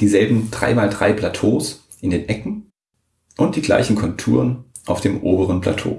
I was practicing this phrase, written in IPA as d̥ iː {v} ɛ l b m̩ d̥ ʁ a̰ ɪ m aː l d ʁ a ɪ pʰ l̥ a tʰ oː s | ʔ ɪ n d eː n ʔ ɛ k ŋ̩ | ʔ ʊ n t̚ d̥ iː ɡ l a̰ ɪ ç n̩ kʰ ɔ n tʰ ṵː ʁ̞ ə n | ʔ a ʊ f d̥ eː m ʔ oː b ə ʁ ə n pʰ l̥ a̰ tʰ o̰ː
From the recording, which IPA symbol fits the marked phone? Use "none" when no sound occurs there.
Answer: z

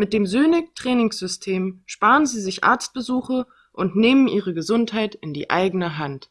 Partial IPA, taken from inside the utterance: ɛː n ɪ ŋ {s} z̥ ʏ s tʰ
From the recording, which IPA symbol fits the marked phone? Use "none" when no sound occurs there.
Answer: s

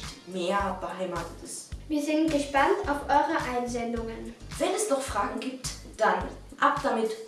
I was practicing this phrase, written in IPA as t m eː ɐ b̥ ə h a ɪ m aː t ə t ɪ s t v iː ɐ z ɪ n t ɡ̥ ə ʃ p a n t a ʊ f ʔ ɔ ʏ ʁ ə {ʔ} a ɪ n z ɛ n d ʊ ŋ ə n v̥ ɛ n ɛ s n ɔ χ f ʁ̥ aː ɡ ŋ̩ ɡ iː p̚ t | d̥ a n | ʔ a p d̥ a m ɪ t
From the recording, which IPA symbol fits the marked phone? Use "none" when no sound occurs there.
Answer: ʔ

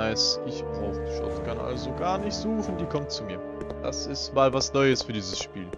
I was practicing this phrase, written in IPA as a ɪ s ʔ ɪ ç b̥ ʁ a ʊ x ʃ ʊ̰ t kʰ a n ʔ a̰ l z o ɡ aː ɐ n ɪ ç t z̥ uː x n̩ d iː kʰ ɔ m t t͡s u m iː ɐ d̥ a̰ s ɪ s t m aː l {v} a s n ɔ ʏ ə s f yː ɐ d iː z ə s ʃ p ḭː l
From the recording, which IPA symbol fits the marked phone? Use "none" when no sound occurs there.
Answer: v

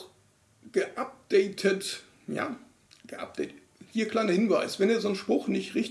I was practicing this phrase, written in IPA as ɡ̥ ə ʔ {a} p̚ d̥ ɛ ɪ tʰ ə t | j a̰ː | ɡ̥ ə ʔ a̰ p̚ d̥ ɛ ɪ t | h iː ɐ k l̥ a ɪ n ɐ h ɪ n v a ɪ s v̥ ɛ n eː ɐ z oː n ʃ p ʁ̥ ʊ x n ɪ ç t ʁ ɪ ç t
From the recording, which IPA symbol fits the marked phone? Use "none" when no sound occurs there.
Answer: a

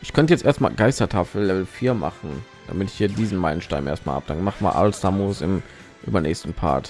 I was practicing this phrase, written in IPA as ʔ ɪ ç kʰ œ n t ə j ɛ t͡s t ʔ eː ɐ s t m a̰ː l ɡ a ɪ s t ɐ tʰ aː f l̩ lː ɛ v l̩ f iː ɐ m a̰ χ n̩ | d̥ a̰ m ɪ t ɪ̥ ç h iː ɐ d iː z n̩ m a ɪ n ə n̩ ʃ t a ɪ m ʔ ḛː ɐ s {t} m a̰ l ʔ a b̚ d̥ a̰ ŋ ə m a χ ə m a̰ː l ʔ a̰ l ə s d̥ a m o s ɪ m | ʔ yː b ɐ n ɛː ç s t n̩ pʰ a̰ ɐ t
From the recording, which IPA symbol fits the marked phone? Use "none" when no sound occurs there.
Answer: t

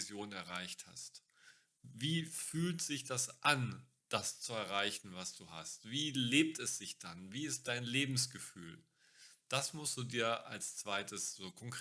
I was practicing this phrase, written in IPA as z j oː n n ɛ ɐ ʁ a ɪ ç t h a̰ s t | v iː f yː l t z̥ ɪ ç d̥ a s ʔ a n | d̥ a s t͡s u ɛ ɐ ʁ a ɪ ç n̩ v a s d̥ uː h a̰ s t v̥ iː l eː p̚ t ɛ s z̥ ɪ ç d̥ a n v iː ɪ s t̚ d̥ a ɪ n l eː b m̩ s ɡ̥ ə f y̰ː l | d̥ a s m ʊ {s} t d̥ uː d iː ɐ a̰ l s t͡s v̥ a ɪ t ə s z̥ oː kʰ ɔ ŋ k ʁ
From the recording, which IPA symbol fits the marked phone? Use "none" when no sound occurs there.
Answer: s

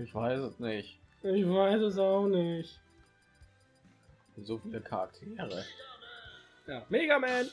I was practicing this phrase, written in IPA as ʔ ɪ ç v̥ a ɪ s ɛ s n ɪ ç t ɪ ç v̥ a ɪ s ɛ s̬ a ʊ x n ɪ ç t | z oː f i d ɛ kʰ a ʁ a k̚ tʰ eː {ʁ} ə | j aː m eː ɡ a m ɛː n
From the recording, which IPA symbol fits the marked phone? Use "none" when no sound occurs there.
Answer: ʁ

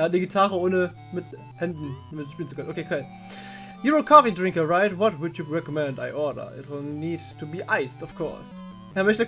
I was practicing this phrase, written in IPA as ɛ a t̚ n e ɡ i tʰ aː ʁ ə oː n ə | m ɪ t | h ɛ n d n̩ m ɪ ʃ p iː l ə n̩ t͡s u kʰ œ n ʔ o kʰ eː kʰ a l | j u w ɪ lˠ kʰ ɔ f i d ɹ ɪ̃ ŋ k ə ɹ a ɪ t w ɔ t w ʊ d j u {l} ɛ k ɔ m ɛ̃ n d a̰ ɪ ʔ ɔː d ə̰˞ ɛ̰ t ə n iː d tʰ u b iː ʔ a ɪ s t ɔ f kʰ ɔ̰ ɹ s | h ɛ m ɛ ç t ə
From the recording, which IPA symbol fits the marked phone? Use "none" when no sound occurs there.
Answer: ɹ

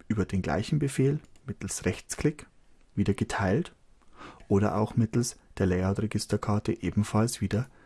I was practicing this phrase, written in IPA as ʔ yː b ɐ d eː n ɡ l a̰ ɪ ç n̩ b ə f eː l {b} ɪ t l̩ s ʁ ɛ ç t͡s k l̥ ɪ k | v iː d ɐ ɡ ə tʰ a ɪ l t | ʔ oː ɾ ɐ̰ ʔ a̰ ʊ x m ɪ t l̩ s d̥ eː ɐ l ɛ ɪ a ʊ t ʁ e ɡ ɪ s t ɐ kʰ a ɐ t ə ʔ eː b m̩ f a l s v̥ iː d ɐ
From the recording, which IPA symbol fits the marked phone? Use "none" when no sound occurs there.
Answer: m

